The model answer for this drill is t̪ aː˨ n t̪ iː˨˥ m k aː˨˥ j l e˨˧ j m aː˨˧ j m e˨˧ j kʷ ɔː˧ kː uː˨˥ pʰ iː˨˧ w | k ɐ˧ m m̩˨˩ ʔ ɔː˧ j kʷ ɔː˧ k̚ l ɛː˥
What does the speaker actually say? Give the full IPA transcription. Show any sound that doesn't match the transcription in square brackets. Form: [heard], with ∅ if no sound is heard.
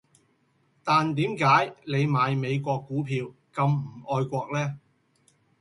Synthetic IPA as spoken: t̪ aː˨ n t̪ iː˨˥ m k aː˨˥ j l e˨˧ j m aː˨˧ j m e˨˧ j kʷ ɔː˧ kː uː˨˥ pʰ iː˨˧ w | k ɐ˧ m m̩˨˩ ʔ ɔː˧ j kʷ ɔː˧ k̚ l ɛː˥